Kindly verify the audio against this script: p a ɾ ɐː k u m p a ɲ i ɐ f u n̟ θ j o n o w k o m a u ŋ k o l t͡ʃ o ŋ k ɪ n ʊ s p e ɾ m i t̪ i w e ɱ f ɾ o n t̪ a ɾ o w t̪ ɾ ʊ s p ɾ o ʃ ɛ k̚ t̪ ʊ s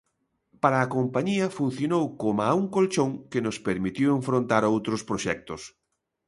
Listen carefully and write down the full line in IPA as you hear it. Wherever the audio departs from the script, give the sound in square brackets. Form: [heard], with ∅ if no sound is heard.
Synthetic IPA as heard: p a ɾ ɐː k [o] m p a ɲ i ɐ f u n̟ θ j o n o w k o m a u ŋ k o l t͡ʃ o ŋ k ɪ n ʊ s p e ɾ m i t̪ i w e ɱ f ɾ o n t̪ a ɾ o w t̪ ɾ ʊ s p ɾ o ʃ ɛ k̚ t̪ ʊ s